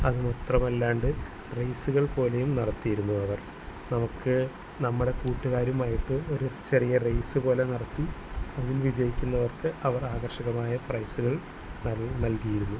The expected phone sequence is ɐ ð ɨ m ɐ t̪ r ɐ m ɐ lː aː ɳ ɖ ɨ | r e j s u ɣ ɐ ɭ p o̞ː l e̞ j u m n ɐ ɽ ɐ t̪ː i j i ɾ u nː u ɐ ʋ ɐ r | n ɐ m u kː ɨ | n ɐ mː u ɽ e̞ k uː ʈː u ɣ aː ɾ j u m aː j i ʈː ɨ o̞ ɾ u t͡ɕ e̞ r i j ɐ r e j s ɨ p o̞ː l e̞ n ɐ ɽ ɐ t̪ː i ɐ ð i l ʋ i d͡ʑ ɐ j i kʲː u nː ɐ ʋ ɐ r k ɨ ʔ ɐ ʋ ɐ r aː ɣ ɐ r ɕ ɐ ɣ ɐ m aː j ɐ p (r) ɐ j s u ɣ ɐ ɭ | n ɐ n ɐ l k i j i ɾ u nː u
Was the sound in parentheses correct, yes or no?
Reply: yes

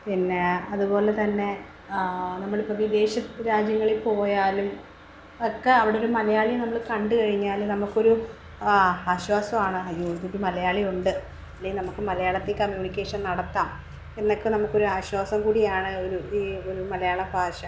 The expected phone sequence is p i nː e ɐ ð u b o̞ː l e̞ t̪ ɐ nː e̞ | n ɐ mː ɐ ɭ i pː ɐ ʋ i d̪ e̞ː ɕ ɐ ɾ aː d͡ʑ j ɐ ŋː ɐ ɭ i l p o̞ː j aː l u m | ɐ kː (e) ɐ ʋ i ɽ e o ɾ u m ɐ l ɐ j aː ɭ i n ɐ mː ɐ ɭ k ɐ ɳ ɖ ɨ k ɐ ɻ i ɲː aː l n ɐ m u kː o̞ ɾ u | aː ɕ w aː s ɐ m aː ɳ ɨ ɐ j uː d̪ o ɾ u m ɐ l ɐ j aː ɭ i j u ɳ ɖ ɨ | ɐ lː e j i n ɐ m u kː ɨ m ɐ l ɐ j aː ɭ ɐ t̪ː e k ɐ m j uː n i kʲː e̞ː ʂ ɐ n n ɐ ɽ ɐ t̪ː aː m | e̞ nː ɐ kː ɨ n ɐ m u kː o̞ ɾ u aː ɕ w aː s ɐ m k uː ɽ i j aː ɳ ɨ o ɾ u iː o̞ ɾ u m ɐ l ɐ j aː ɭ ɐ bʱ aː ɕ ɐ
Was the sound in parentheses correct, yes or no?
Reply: yes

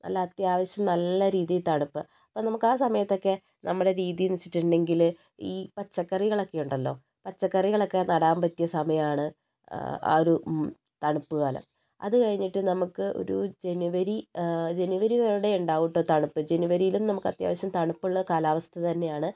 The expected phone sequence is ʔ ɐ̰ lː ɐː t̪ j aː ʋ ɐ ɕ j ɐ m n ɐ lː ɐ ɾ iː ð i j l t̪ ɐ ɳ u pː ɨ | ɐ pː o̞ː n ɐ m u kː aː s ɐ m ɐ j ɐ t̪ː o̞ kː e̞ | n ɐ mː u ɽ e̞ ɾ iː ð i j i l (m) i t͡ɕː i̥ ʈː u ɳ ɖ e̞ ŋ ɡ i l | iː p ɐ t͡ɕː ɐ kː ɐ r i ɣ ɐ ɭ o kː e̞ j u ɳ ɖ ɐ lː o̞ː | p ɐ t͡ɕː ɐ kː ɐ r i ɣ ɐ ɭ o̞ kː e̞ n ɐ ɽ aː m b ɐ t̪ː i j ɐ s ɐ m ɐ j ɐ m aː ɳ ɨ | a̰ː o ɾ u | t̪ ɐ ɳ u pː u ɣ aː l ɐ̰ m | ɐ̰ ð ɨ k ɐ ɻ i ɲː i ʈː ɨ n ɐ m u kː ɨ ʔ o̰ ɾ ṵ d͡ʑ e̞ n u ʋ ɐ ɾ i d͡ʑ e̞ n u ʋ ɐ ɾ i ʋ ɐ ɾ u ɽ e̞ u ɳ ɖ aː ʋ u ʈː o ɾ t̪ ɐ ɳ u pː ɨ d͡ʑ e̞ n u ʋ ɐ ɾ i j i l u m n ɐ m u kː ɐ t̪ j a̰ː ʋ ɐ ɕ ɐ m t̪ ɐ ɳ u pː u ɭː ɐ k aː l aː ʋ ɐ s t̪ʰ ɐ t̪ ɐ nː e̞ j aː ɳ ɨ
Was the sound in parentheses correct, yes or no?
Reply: no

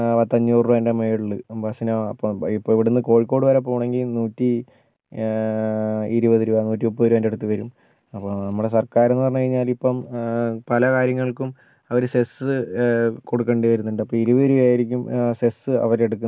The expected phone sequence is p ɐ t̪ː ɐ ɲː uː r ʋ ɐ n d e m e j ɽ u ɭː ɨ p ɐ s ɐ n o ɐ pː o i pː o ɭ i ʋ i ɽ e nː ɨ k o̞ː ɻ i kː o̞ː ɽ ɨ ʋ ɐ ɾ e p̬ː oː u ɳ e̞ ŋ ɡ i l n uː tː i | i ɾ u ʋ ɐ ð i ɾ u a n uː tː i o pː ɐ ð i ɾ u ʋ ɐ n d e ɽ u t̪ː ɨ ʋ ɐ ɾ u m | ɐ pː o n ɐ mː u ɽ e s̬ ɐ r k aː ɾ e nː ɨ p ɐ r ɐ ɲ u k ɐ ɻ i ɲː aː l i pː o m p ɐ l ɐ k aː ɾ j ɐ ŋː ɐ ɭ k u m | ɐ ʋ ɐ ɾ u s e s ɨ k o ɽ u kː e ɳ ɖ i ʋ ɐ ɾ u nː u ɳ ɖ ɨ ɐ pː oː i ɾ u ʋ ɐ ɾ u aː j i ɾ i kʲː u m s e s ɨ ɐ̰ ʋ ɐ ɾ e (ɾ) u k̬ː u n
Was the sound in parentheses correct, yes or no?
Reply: no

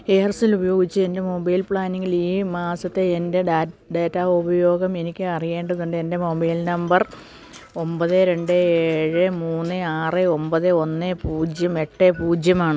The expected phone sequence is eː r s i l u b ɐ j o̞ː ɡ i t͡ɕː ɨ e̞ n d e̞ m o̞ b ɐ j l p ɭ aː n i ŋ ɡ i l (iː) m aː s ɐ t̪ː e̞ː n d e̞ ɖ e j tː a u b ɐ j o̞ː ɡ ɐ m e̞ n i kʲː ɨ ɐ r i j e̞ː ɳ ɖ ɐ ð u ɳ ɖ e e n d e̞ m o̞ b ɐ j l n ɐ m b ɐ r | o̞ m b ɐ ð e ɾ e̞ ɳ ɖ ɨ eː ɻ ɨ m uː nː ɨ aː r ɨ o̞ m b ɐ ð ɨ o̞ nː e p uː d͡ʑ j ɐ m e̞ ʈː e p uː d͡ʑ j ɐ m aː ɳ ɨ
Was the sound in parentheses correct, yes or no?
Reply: yes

